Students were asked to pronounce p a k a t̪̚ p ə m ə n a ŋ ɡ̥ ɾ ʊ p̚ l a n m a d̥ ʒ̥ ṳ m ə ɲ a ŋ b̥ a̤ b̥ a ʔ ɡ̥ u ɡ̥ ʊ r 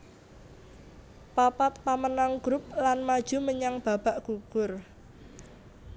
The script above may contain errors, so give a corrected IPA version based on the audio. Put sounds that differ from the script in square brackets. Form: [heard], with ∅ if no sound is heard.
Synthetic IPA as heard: p a [p] a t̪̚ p [a] m ə n a ŋ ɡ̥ ɾ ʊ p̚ l a n m a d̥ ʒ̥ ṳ m ə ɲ a ŋ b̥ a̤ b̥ a ʔ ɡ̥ u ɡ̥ ʊ r